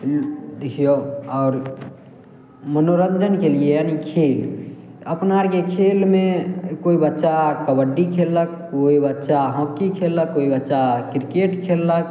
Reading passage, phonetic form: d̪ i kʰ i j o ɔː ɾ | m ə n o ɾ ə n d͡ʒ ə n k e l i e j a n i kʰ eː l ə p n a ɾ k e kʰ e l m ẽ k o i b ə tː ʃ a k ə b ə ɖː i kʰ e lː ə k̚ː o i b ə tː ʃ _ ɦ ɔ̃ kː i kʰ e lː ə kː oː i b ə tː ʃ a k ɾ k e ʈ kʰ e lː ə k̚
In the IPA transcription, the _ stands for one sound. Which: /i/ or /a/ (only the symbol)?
a